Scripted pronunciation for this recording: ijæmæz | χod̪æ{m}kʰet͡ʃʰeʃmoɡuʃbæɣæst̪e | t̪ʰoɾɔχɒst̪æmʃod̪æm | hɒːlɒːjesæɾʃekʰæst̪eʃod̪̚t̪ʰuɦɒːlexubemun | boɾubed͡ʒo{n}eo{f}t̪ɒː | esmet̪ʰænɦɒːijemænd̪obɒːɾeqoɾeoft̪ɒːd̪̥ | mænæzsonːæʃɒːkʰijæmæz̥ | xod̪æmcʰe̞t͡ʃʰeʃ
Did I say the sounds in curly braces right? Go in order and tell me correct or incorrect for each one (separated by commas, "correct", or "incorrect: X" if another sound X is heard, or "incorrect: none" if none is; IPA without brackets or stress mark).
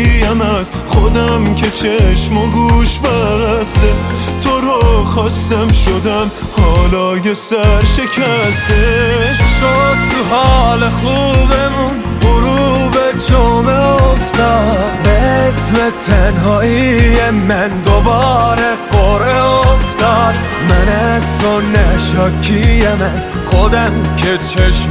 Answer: correct, incorrect: m, correct